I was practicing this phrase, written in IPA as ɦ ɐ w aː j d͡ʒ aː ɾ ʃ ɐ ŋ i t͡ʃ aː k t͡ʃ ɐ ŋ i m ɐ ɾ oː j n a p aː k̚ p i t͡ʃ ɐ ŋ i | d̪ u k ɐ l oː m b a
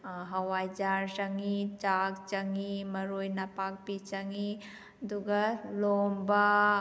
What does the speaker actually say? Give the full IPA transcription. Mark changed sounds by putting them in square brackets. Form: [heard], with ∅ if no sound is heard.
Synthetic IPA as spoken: ɦ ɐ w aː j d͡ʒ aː ɾ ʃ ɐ ŋ i t͡ʃ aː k t͡ʃ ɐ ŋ i m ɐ ɾ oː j n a p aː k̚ p i t͡ʃ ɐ ŋ i | d̪ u [ɡ] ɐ l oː m b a